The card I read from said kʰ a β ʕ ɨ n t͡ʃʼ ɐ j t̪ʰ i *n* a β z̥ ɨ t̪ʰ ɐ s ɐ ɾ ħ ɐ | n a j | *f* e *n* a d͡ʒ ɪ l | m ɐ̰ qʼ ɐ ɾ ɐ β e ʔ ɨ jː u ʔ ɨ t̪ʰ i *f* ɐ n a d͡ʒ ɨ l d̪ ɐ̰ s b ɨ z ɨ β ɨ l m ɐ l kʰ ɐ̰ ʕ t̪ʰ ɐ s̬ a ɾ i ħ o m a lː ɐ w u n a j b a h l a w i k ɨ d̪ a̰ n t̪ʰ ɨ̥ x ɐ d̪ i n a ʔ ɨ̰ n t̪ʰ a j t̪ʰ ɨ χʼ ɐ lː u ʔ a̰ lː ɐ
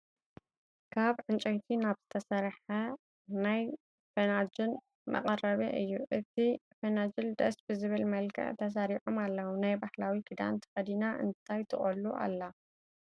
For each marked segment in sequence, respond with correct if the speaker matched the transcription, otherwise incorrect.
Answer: correct, correct, correct, correct

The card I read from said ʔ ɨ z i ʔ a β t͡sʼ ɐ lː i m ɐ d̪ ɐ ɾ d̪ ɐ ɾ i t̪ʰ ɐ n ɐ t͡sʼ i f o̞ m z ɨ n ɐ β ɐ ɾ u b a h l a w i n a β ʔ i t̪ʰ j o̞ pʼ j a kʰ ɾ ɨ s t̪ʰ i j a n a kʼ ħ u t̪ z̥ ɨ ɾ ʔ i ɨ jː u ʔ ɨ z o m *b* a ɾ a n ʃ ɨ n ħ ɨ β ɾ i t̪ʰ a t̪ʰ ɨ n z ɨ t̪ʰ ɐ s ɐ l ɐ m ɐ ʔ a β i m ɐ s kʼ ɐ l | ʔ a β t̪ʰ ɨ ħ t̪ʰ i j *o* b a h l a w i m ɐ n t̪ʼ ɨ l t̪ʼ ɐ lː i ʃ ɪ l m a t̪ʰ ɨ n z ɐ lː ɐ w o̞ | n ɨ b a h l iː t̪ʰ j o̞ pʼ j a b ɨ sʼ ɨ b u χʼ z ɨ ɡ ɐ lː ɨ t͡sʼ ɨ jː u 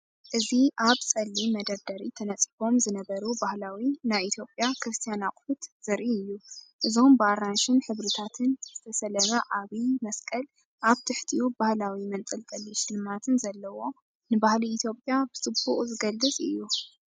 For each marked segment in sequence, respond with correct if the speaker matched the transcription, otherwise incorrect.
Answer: correct, incorrect: u

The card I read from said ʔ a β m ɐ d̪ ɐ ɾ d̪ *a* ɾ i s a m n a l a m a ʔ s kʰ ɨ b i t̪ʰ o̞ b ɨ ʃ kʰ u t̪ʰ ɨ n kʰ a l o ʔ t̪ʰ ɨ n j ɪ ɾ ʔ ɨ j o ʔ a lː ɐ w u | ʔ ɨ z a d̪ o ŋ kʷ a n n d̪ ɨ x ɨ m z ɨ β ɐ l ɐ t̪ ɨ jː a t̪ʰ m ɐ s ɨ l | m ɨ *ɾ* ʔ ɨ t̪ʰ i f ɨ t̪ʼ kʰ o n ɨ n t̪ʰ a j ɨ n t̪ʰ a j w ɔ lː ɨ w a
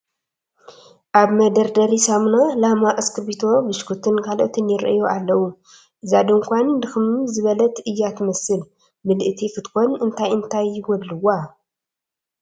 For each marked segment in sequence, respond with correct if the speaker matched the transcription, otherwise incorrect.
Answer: incorrect: ɐ, incorrect: l

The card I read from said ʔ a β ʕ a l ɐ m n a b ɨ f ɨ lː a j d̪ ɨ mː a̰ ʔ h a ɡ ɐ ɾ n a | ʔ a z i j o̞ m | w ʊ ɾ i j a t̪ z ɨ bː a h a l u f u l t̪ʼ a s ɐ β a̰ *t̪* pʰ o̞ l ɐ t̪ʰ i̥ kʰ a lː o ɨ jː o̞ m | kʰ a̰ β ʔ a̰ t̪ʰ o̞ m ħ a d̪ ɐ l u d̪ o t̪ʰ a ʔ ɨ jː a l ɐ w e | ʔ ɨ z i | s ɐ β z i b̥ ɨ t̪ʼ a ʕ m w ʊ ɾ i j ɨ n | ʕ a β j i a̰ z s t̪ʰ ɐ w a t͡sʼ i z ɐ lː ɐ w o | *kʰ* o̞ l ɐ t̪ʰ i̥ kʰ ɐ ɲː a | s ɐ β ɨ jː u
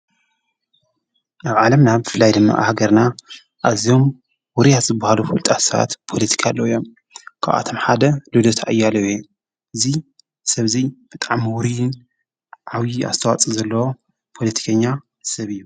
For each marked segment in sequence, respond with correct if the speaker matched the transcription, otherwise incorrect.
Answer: correct, incorrect: pʰ

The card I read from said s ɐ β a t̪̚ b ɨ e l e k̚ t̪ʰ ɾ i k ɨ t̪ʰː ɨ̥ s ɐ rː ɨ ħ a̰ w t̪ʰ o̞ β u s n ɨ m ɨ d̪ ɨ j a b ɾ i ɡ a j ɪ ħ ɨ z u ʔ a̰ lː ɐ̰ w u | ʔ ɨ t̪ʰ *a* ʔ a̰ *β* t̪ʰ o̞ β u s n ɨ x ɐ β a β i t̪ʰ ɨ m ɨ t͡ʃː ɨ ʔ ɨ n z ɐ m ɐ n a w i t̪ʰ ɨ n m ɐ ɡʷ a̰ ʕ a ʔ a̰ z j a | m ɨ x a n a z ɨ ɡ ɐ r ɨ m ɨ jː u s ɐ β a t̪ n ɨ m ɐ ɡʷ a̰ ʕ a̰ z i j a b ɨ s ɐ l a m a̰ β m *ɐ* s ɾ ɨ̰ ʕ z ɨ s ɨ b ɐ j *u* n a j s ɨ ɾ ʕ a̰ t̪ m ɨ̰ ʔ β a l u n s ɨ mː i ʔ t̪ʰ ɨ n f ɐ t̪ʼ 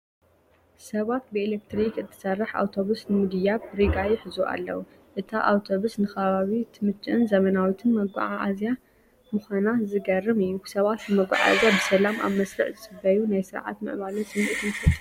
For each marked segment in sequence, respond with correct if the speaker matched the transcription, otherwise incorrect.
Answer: correct, incorrect: w, correct, correct

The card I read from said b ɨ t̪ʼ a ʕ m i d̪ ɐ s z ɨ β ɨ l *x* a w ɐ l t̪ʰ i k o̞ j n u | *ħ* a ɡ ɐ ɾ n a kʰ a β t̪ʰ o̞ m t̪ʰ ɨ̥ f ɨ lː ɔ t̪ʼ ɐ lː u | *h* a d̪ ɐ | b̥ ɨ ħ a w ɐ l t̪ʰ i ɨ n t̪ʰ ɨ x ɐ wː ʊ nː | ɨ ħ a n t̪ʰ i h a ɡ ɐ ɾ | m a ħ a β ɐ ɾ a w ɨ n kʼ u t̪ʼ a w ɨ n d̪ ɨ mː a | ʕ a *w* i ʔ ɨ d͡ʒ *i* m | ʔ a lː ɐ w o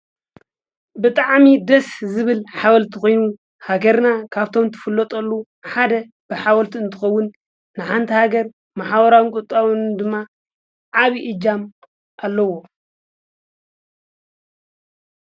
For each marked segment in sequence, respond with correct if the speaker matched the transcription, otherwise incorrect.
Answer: incorrect: ħ, incorrect: h, incorrect: ħ, incorrect: β, incorrect: a

